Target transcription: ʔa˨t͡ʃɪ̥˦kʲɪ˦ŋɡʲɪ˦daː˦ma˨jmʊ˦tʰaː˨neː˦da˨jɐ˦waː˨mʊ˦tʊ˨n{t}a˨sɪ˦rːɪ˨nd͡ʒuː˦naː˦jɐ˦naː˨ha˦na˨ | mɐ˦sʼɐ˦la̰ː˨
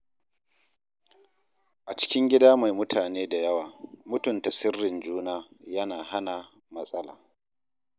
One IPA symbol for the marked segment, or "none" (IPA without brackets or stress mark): t